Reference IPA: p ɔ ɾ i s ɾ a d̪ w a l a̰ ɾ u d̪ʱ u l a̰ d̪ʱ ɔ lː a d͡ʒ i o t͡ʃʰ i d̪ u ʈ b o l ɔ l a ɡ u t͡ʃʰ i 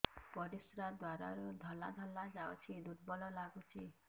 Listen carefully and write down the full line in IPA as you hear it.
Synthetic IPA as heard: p ɔ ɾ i s ɾ a d̪ w a ɾ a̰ ɾ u d̪ʱ ɔ l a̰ d̪ʱ ɔ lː a d͡ʒ a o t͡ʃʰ i d̪ u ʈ b ɔ l ɔ l a ɡ u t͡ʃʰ i